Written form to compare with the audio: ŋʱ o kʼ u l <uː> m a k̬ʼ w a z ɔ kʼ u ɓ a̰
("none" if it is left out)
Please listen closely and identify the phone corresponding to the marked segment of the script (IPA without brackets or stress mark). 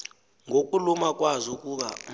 u